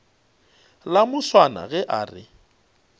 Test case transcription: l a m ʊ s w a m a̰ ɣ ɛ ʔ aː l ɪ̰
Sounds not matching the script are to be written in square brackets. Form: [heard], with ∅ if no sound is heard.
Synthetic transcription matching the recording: l a m ʊ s w a [n] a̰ ɣ ɛ ʔ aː [r] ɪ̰